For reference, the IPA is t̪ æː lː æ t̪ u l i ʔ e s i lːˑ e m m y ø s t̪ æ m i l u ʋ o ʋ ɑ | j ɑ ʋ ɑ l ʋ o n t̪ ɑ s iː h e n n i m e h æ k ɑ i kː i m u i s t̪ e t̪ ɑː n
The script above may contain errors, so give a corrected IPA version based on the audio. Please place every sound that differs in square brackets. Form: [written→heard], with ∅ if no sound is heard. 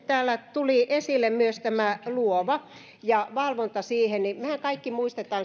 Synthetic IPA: t̪ æː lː æ t̪ u l i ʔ e s i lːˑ e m m y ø s t̪ æ m [i→æ] l u [ʋ→∅] o ʋ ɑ | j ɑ ʋ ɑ l ʋ o n t̪ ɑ s iː h e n n i m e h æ k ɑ i kː i m u i s t̪ e t̪ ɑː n